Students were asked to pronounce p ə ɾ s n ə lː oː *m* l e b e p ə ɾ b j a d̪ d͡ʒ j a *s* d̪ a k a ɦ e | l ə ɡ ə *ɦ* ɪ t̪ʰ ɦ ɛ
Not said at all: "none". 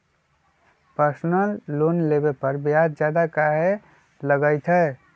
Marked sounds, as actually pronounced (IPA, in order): n, none, none

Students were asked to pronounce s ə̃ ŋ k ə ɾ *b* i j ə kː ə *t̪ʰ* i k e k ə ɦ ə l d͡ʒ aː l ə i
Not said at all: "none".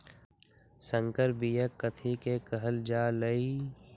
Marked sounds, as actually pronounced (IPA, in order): b, t̪ʰ

